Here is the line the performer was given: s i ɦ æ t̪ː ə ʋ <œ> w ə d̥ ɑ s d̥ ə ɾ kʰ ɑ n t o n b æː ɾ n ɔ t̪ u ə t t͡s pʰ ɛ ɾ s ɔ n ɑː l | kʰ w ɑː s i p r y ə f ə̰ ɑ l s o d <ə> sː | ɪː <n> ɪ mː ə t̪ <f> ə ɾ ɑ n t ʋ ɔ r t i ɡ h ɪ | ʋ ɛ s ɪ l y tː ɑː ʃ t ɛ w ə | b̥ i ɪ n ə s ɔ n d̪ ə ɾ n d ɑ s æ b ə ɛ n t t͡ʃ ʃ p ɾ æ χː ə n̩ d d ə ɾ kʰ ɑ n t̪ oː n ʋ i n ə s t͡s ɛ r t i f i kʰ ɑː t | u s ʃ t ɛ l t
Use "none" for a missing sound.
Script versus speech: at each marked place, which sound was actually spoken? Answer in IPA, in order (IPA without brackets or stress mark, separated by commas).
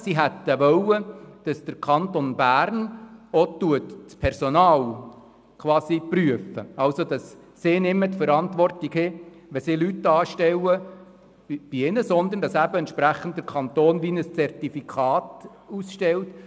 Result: œ, ɑ, n, f